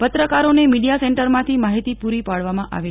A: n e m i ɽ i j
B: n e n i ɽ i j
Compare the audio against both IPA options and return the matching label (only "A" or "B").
A